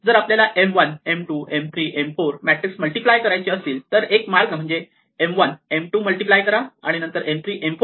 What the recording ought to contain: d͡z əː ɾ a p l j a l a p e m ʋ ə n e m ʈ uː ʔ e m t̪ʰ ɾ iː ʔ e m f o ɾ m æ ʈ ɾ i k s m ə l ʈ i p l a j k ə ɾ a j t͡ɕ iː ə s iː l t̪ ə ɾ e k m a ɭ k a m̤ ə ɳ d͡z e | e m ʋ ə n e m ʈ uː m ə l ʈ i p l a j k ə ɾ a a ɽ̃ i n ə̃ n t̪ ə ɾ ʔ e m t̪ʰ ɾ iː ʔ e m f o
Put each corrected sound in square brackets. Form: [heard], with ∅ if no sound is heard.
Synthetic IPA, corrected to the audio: d͡z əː ɾ a p l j a l a [ʔ] e m ʋ ə n e m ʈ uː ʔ e m t̪ʰ ɾ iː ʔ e m f o ɾ m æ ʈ ɾ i k s m ə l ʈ i p l a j k ə ɾ a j t͡ɕ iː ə s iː l t̪ ə ɾ e k m a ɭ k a m̤ ə ɳ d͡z e | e m ʋ ə n e m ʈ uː m ə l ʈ i p l a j k ə ɾ a a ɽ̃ i n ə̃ n t̪ ə ɾ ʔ e m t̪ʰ ɾ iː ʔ e m f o